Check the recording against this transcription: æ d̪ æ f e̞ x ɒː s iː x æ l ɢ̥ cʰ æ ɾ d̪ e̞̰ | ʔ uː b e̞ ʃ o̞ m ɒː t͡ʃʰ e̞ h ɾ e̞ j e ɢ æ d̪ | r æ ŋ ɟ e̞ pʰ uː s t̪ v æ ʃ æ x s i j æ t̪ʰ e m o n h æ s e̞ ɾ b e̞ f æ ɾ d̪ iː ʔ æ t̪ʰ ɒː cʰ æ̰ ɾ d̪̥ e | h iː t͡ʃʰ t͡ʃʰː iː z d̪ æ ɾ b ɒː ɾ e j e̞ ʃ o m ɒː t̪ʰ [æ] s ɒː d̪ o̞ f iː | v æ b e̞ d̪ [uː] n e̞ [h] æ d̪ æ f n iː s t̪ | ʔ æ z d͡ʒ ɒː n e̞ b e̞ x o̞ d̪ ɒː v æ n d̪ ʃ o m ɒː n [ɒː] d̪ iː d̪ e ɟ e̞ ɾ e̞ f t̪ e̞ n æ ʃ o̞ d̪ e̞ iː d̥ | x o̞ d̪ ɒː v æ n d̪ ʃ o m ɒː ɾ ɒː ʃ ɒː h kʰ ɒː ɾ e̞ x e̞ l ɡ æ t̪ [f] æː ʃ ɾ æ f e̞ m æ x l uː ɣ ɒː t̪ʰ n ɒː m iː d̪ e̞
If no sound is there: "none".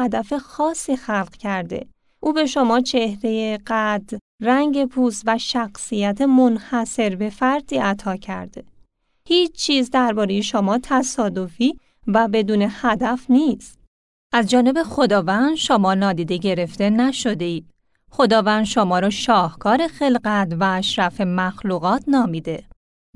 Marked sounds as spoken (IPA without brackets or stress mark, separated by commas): æ, uː, h, ɒː, v